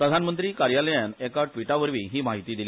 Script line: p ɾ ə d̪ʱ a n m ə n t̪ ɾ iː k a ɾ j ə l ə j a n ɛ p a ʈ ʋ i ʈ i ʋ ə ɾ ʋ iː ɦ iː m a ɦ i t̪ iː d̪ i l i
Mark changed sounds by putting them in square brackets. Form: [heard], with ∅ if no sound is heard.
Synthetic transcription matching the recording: p ɾ ə d̪ʱ a n m ə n t̪ ɾ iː k a ɾ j [a] l ə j a n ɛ [k] a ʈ ʋ i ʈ [a] ʋ ə ɾ ʋ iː ɦ iː m a ɦ i t̪ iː d̪ i l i